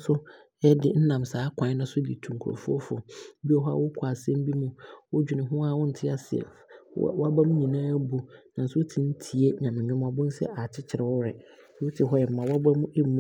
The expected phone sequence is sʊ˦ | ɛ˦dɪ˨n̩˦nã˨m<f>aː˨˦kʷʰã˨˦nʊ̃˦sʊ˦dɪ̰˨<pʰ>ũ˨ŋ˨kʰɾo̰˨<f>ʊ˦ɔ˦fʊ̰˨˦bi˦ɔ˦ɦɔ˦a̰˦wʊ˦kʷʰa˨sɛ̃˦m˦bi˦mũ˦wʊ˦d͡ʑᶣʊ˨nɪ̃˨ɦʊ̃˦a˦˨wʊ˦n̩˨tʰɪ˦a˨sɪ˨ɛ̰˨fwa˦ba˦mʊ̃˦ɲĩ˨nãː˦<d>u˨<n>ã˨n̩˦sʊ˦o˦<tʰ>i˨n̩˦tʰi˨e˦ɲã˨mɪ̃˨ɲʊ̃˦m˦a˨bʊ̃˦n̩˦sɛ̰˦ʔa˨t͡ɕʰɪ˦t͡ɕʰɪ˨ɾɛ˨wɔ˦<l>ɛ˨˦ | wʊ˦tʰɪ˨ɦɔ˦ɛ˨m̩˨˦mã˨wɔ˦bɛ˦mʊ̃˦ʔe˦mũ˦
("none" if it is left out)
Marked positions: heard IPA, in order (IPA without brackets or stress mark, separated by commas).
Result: s, tʰ, f, b, n, tʰ, ɾ